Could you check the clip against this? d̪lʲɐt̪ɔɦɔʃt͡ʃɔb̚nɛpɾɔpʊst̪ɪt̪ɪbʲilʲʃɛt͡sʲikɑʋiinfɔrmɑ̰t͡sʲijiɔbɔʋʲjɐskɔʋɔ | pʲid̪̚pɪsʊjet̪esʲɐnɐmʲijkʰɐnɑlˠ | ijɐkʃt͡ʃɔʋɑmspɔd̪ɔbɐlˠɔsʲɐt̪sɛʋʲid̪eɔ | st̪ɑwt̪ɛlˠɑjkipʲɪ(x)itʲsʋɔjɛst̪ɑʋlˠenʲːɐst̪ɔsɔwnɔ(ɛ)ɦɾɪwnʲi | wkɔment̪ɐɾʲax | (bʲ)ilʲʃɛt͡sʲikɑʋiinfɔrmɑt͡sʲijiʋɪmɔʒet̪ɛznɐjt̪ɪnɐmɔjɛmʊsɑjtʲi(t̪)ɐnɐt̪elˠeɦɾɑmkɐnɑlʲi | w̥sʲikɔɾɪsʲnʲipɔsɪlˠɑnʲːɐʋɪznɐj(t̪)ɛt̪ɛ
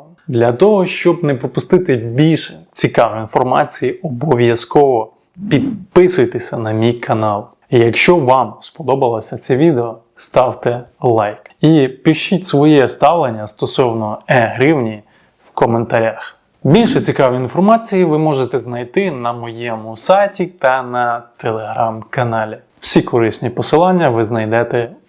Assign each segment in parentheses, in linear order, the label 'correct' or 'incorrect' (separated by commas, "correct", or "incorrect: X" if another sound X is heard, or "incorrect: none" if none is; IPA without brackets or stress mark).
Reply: incorrect: ʃ, correct, correct, correct, incorrect: d̪